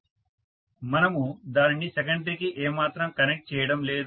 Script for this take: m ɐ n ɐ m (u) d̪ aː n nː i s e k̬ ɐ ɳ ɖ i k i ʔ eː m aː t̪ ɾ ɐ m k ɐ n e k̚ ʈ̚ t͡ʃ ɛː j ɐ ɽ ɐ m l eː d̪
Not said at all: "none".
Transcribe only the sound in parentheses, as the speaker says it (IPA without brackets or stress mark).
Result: u